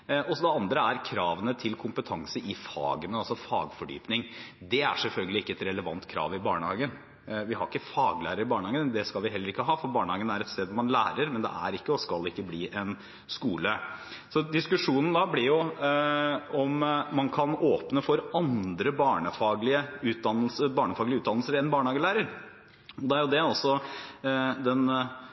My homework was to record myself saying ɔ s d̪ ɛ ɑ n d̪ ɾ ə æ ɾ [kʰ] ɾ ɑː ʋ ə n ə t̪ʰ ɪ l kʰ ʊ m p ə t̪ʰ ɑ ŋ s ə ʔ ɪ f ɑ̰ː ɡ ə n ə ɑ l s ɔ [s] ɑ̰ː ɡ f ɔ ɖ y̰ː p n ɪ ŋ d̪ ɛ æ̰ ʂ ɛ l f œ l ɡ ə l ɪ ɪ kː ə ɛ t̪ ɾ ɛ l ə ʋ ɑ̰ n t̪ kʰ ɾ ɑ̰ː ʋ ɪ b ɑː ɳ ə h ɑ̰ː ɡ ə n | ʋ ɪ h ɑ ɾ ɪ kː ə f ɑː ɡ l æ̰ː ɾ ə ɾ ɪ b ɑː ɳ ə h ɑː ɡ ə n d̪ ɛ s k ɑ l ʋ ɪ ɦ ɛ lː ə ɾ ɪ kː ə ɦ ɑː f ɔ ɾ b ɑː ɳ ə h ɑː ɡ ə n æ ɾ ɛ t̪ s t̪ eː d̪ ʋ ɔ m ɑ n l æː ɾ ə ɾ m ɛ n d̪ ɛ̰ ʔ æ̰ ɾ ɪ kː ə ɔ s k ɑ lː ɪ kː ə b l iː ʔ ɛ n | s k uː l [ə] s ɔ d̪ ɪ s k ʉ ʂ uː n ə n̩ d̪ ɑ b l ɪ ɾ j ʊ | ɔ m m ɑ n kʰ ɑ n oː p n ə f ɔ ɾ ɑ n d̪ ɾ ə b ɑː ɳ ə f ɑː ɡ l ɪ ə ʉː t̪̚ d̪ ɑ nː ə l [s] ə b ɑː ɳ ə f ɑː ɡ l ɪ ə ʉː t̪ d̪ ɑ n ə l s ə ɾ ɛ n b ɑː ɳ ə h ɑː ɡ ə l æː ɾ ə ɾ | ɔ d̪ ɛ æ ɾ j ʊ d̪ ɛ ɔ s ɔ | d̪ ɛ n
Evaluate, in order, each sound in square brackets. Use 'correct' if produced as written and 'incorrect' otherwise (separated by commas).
correct, incorrect, correct, correct